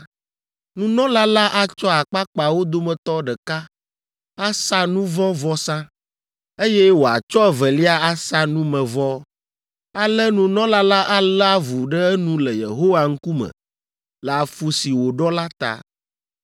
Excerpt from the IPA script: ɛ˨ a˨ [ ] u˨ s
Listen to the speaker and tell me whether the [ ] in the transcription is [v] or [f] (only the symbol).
f